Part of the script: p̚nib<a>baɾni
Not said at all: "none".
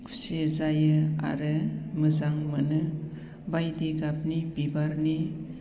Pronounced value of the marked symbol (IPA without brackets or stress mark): i